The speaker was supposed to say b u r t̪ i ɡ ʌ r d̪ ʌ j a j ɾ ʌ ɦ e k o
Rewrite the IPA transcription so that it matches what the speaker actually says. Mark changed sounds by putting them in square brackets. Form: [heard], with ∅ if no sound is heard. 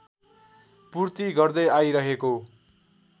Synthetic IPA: [p] u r t̪ i ɡ ʌ r d̪ ʌ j a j ɾ ʌ ɦ e k o